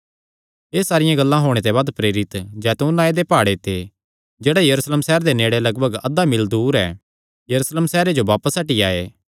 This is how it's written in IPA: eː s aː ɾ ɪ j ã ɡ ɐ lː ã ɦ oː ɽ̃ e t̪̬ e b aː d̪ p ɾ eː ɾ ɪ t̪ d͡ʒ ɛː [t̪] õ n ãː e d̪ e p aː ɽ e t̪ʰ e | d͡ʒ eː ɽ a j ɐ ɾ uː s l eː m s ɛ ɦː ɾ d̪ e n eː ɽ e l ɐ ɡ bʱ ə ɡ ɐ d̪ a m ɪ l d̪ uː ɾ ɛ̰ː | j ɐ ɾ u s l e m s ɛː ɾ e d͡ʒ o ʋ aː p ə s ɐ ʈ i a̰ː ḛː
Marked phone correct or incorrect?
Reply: correct